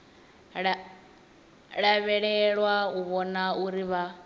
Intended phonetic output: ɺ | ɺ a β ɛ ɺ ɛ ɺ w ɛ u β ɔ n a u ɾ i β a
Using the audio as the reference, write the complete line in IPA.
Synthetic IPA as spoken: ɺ | ɺ a β ɛ ɺ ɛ ɺ w a u β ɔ n a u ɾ i β a